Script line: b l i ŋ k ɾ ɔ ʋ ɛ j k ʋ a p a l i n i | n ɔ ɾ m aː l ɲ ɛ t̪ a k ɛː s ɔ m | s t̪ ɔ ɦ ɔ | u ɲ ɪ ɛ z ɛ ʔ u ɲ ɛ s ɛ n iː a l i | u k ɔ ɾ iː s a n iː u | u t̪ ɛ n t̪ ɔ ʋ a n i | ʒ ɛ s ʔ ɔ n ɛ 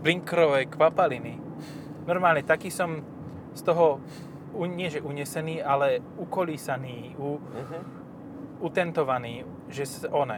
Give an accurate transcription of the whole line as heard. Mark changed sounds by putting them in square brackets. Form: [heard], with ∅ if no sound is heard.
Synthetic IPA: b l i ŋ k ɾ ɔ ʋ ɛ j k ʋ a p a l i n i | n ɔ ɾ m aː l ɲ ɛ t̪ a k [iː] s ɔ m | s t̪ ɔ ɦ ɔ | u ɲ ɪ ɛ [ʒ] ɛ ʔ u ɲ ɛ s ɛ n iː a l [ɛ] | u k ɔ [l] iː s a n iː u | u t̪ ɛ n t̪ ɔ ʋ a n [iː] | ʒ ɛ s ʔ ɔ n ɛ